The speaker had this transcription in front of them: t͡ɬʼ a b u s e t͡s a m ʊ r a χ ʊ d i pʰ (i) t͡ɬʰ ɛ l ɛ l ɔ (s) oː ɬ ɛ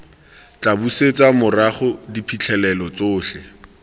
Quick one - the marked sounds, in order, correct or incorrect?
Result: correct, incorrect

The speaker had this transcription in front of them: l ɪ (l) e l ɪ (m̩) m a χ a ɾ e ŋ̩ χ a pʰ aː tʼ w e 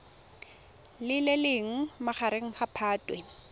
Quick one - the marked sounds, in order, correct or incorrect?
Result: correct, incorrect

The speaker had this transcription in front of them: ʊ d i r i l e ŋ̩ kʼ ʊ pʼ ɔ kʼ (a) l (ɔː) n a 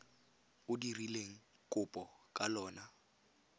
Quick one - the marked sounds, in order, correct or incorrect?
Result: correct, correct

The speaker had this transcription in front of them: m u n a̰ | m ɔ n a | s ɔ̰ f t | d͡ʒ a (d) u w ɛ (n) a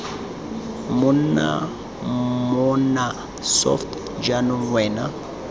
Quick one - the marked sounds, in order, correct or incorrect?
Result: incorrect, correct

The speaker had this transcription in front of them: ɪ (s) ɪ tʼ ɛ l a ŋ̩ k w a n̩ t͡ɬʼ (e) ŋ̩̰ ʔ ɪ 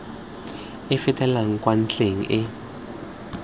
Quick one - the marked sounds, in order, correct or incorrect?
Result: incorrect, correct

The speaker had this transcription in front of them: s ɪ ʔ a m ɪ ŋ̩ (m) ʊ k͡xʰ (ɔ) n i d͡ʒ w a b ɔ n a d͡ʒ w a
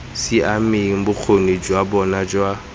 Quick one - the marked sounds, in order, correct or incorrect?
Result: incorrect, incorrect

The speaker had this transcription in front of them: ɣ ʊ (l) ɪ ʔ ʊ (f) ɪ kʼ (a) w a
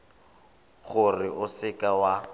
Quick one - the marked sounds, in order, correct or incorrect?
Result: incorrect, incorrect, correct

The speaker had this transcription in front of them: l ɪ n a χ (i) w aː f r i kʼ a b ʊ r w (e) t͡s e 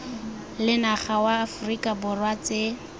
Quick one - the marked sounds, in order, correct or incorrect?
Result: incorrect, incorrect

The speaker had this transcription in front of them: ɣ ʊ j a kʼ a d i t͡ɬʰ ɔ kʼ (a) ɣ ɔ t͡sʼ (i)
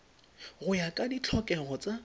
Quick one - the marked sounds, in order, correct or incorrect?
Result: incorrect, incorrect

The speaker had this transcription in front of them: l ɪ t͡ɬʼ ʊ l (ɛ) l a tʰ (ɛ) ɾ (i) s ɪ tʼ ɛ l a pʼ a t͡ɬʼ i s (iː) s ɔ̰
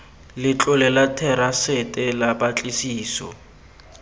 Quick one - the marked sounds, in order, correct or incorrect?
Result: correct, correct, incorrect, correct

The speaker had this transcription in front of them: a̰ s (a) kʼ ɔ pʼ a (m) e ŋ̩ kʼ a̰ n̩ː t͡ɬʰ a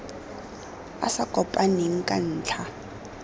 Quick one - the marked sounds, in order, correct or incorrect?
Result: correct, incorrect

